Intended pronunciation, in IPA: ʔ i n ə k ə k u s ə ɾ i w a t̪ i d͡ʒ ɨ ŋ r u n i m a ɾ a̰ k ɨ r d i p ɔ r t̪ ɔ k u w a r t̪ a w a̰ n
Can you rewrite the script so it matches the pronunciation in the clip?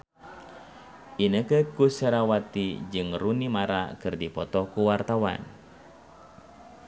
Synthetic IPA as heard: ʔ i n ə k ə k u s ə ɾ a w a t̪ i d͡ʒ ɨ ŋ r u n i m a ɾ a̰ k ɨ r d i p ɔ t̪ ɔ k u w a r t̪ a w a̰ n